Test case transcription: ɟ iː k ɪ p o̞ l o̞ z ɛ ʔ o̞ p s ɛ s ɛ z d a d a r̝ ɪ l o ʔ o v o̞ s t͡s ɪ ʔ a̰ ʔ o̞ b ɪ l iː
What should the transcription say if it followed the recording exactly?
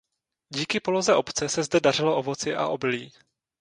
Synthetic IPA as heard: ɟ iː k ɪ p o̞ l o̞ z ɛ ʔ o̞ p t͡s ɛ s ɛ z d ɛ d a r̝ ɪ l o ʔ o v o̞ t͡s ɪ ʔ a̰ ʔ o̞ b ɪ l iː